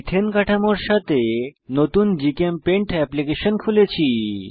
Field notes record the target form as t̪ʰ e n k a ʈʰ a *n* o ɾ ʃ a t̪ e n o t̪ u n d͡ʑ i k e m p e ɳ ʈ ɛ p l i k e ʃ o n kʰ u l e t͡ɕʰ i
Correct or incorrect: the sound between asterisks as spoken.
incorrect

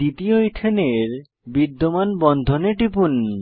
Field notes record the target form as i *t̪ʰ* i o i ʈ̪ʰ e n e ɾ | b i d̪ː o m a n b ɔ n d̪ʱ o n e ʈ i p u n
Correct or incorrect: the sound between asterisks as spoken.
incorrect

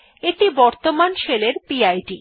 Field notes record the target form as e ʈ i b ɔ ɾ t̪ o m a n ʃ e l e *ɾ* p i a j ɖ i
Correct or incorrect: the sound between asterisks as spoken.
correct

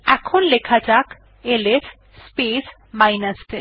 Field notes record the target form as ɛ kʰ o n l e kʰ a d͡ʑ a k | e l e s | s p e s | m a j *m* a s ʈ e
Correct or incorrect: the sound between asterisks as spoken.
incorrect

